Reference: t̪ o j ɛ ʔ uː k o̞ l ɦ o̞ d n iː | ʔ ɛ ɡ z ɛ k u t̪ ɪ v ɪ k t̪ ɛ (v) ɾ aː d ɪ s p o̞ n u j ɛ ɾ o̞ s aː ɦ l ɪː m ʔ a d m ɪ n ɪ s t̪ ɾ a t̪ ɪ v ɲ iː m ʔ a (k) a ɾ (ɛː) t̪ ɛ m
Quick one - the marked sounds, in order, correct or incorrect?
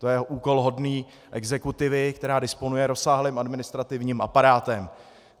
incorrect: none, incorrect: p, incorrect: aː

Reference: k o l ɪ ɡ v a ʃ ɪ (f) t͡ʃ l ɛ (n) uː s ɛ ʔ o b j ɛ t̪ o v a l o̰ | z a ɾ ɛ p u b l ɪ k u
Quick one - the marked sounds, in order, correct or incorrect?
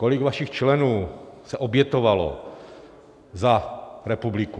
incorrect: x, correct

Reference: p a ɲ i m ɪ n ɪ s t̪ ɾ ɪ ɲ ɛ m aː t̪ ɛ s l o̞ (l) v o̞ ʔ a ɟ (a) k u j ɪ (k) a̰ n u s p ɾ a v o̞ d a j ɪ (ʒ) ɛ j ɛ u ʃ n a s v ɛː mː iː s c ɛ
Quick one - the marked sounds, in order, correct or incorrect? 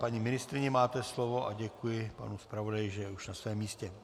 incorrect: none, incorrect: ɛ, incorrect: p, correct

